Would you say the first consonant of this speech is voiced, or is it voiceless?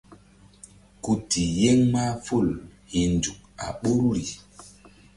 voiceless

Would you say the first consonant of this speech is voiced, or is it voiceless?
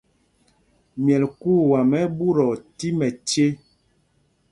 voiced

